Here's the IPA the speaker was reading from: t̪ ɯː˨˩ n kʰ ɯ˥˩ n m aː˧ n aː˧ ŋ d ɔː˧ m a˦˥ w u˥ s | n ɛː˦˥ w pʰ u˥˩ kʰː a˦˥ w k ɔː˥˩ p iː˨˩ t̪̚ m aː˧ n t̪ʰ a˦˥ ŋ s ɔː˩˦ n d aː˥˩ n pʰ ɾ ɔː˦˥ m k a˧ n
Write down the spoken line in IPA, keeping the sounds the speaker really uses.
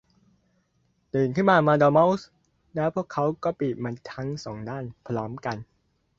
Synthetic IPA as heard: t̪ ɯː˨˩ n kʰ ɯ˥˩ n m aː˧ m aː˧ d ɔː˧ m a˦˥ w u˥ s | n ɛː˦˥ w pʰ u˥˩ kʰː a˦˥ w k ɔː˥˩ p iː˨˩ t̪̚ m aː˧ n t̪ʰ a˦˥ ŋ s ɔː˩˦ ŋ d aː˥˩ n pʰ ɾ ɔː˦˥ m k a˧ n